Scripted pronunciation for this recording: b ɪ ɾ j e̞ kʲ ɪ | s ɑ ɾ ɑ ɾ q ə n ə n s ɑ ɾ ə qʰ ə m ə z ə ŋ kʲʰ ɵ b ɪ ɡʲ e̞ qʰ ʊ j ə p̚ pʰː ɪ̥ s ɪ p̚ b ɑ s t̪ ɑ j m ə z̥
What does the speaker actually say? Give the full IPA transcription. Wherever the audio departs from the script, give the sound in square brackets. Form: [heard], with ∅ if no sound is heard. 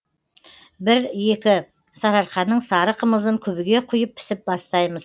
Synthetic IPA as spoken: b ɪ ɾ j e̞ kʲ ɪ | s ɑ ɾ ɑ ɾ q [ɑ] n ə [ɴ] s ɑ ɾ ə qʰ ə m ə z ə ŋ kʲʰ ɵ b ɪ ɡʲ e̞ qʰ ʊ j ə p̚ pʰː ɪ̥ s ɪ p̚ b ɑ s t̪ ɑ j m ə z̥

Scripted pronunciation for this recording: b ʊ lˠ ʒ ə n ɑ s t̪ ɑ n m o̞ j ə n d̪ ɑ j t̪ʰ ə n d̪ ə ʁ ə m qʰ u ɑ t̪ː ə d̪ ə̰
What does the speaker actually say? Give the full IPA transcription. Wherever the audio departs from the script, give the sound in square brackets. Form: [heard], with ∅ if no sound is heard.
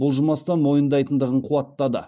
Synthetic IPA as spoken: b ʊ lˠ ʒ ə [m] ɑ s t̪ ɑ n m o̞ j ə n d̪ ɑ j [t̪] ə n d̪ ə ʁ ə [ɴ] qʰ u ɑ t̪ː [ɑ] d̪ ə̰

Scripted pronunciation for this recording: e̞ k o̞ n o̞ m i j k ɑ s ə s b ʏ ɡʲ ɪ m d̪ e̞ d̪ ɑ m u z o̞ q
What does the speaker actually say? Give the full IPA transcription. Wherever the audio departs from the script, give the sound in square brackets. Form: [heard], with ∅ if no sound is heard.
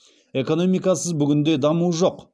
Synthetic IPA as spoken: e̞ k o̞ n o̞ m i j k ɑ s ə [z] b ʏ ɡʲ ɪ [n] d̪ e̞ d̪ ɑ m u [ʒ] o̞ q

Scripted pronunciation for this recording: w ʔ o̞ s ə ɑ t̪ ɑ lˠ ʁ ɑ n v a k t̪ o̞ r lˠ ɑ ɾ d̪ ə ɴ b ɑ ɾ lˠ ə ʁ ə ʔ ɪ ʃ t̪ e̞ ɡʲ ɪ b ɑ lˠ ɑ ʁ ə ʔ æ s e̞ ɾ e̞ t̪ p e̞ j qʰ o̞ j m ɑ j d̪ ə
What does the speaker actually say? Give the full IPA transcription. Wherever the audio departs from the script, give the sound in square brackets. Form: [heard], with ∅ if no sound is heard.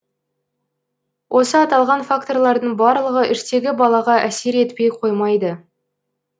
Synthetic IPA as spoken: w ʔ o̞ s ə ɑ t̪ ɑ lˠ ʁ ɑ n [f] a k t̪ o̞ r lˠ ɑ ɾ d̪ ə ɴ b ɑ ɾ lˠ ə ʁ ə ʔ ɪ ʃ t̪ e̞ ɡʲ ɪ b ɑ lˠ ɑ ʁ [ɑ] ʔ æ s e̞ ɾ e̞ t̪ p e̞ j qʰ o̞ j m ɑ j d̪ ə

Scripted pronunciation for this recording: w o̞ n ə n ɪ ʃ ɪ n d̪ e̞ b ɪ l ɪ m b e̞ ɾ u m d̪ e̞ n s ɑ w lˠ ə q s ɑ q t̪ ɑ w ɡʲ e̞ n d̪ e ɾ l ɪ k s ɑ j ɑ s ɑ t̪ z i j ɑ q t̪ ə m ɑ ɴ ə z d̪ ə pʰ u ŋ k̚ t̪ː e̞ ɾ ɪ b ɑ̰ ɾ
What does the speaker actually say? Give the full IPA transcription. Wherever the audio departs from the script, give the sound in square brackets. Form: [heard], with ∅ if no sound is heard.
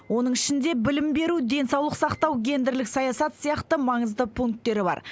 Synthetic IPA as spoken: w o̞ n ə [ɴ] ɪ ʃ ɪ n d̪ e̞ b ɪ l ɪ m b e̞ ɾ u [∅] d̪ e̞ n s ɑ w lˠ ə q s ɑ q t̪ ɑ w ɡʲ e̞ n d̪ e ɾ l ɪ k s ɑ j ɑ s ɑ t̪ [s] i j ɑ q t̪ ə m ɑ ɴ ə z d̪ ə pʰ u ŋ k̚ t̪ː e̞ ɾ ɪ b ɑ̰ ɾ

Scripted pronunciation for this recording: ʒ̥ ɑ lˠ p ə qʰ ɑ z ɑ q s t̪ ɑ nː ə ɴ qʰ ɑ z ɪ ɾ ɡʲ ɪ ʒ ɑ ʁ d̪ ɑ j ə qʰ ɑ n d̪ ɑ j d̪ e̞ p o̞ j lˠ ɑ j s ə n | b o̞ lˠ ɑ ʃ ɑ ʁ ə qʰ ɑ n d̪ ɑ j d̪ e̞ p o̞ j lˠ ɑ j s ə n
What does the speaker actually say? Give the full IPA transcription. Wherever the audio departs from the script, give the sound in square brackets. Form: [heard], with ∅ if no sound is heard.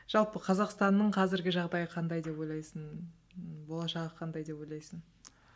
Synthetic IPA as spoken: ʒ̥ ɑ lˠ p ə qʰ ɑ z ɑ q s t̪ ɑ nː ə ɴ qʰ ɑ z ɪ ɾ ɡʲ ɪ ʒ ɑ ʁ d̪ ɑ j ə qʰ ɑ n d̪ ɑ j d̪ e̞ p o̞ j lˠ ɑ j s ə n | b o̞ lˠ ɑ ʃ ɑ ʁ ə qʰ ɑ n d̪ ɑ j d̪ e̞ p o̞ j lˠ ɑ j s ə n

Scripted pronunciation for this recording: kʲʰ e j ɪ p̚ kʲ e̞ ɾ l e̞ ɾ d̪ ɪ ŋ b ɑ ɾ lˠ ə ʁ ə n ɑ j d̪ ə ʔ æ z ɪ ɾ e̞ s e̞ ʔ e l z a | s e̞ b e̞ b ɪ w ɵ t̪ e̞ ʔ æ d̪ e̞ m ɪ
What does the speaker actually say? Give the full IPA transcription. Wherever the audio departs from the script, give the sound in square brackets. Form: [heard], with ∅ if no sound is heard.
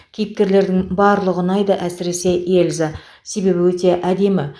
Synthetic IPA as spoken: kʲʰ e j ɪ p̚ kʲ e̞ ɾ l e̞ ɾ d̪ ɪ ŋ b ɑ ɾ lˠ ə ʁ ə n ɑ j d̪ ə ʔ æ [s] ɪ ɾ e̞ s e̞ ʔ e l z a | s e̞ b e̞ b ɪ w ɵ t̪ e̞ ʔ æ d̪ e̞ m ɪ

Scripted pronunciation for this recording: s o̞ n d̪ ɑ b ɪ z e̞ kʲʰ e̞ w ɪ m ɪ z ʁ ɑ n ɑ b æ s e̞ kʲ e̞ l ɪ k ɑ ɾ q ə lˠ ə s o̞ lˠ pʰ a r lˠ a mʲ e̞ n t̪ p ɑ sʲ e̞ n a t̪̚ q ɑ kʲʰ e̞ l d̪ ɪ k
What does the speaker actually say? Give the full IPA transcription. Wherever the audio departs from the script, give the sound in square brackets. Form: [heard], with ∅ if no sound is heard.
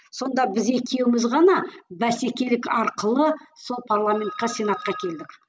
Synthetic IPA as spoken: s o̞ n d̪ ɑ b ɪ z e̞ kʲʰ e̞ w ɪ m ɪ z ʁ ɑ n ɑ b æ s e̞ kʲ e̞ l ɪ k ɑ ɾ q ə lˠ ə s o̞ lˠ pʰ a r lˠ a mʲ e̞ n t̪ [q] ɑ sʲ e̞ n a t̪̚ q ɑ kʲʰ e̞ l d̪ ɪ k

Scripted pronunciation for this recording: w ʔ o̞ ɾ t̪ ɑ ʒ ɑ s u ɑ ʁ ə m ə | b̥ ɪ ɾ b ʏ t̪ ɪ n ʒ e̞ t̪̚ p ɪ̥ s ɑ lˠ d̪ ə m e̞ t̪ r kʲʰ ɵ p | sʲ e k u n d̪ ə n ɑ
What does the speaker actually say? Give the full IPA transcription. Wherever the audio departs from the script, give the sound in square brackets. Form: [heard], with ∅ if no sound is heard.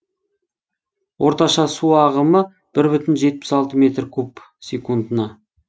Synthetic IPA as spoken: w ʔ o̞ ɾ t̪ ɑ [ʃ] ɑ s u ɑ ʁ ə m ə | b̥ ɪ ɾ b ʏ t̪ ɪ n ʒ e̞ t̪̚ p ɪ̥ s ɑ lˠ [t̪] ə m e̞ t̪ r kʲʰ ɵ p | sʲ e k u n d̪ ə n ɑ

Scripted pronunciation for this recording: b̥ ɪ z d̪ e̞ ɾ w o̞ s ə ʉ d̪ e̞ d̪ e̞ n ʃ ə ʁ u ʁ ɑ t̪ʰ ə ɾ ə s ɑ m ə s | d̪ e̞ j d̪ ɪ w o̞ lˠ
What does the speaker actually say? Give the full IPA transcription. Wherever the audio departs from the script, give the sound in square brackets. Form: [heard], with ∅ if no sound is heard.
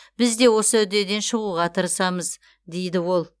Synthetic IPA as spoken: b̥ ɪ z d̪ e̞ [∅] w o̞ s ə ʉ d̪ e̞ d̪ e̞ n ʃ ə ʁ u ʁ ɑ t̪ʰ ə ɾ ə s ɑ m ə [z] | d̪ e̞ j d̪ ɪ w o̞ lˠ

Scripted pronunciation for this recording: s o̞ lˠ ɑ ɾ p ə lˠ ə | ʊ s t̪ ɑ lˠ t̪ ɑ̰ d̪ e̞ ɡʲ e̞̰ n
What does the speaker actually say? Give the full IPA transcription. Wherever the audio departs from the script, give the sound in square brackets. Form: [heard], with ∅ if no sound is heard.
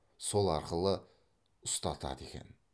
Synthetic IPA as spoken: s o̞ lˠ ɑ ɾ [q] ə lˠ ə | ʊ s t̪ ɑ [∅] t̪ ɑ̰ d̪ e̞ [kʲ] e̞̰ n

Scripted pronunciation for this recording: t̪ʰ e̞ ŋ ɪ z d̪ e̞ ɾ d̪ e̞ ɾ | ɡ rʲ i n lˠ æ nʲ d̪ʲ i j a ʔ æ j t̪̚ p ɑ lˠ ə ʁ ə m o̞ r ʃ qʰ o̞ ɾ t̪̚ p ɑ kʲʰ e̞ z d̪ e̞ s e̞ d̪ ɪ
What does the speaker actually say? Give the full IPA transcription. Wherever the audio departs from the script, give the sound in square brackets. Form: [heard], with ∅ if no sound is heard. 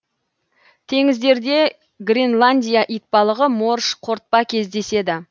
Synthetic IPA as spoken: t̪ʰ e̞ ŋ ɪ z d̪ e̞ ɾ d̪ e̞ [∅] | ɡ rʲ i n lˠ [a] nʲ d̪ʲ i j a ʔ [i] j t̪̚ p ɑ lˠ ə ʁ ə m o̞ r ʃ qʰ o̞ ɾ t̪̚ p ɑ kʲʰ e̞ z d̪ e̞ s e̞ d̪ ɪ

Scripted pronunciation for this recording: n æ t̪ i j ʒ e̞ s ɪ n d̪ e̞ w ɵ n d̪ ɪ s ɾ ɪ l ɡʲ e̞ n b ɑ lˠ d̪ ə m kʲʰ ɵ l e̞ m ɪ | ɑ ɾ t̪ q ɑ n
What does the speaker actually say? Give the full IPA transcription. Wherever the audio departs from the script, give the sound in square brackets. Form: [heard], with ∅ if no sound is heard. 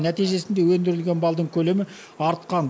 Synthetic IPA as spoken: n æ t̪ i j ʒ e̞ s ɪ n d̪ e̞ w ɵ n d̪ ɪ [∅] ɾ ɪ l ɡʲ e̞ n b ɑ lˠ d̪ ə [ɴ] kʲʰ ɵ l e̞ m ɪ | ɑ ɾ t̪ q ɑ n

